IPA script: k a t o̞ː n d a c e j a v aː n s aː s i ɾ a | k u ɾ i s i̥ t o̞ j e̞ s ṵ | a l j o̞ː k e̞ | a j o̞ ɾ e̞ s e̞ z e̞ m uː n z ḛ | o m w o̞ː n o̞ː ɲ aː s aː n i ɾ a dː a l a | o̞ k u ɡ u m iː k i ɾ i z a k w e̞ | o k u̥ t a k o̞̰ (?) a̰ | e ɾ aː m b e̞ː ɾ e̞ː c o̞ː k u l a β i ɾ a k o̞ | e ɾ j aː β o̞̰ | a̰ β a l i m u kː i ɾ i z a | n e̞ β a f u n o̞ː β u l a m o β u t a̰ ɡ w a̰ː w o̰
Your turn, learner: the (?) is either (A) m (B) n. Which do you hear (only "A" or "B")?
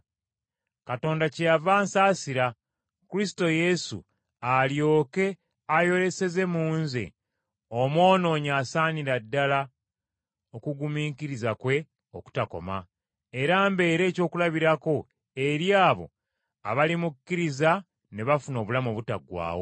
A